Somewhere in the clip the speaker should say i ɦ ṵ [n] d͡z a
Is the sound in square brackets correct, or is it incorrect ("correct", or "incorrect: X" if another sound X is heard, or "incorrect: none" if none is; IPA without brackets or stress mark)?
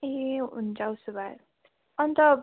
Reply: correct